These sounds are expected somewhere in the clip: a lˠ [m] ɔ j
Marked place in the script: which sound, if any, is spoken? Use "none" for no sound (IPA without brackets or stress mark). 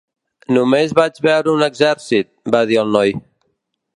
n